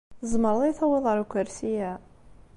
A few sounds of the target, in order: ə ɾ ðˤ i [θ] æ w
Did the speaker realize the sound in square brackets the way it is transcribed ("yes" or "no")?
yes